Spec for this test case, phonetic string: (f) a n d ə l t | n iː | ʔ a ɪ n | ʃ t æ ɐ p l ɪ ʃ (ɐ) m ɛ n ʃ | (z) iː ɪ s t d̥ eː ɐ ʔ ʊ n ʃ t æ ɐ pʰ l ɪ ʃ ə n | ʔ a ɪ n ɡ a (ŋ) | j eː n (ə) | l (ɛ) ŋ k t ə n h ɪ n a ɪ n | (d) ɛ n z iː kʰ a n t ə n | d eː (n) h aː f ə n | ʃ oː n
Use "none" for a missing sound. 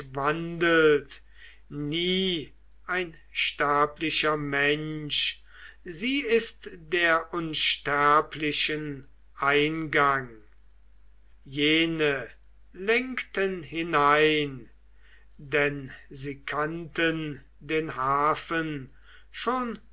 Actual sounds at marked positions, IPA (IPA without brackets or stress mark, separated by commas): v, ɐ, z, ŋ, ə, ɛ, d, n